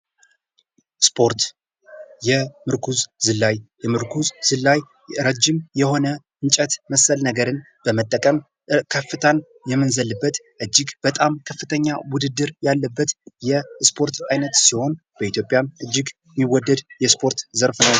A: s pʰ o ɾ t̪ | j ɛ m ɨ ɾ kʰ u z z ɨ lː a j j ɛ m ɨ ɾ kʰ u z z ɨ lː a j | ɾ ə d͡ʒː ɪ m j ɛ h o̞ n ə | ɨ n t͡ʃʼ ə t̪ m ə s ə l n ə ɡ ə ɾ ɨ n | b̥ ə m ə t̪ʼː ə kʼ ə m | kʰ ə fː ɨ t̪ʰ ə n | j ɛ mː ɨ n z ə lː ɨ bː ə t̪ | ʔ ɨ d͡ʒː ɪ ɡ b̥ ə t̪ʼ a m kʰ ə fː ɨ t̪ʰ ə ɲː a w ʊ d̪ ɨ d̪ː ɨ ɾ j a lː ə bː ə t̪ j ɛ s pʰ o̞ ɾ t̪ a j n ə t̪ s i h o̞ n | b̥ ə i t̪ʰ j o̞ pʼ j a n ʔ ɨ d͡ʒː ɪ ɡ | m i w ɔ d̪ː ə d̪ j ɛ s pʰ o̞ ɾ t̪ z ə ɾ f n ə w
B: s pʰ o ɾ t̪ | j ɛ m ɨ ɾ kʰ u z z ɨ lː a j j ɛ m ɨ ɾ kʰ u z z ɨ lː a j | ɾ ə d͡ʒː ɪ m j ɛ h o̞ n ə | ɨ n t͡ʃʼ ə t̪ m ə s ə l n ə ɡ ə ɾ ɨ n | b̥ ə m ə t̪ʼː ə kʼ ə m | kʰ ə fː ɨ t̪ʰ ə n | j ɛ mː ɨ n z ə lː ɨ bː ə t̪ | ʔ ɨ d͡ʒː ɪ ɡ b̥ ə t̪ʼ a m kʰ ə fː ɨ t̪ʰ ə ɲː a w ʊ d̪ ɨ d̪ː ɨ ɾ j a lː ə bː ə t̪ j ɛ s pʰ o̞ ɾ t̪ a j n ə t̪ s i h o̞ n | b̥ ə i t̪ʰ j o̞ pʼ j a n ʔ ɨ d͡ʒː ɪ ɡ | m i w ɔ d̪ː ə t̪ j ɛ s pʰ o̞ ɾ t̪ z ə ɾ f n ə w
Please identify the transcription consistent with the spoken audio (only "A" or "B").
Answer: A